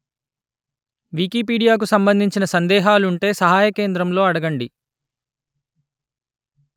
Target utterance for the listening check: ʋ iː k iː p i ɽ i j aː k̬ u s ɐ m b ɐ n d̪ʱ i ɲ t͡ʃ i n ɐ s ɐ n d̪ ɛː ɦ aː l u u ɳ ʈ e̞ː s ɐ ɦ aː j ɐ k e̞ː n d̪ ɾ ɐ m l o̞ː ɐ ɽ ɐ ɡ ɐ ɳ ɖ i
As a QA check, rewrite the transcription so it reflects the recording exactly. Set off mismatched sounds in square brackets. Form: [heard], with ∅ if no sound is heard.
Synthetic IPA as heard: ʋ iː k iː p [iː] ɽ i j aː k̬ u s ɐ m b ɐ n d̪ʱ i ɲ t͡ʃ i n ɐ s ɐ n d̪ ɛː ɦ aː l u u ɳ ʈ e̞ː s ɐ ɦ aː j ɐ k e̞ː n d̪ ɾ ɐ m l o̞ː ɐ ɽ ɐ ɡ ɐ ɳ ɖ i